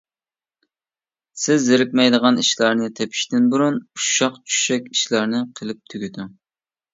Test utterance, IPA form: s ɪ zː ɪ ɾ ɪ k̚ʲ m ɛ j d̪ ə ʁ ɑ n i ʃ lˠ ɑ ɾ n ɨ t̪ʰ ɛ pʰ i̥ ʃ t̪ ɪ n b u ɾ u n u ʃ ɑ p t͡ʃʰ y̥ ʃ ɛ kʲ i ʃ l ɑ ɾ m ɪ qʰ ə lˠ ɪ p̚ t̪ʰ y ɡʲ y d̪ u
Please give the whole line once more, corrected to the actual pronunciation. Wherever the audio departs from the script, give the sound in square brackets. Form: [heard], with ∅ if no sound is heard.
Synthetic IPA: s ɪ zː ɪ ɾ ɪ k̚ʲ m ɛ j d̪ ə ʁ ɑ n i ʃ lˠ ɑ ɾ n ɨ t̪ʰ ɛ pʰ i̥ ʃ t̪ ɪ n b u ɾ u n u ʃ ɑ [q] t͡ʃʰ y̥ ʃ ɛ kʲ i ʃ l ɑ ɾ [n] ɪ qʰ ə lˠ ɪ p̚ t̪ʰ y ɡʲ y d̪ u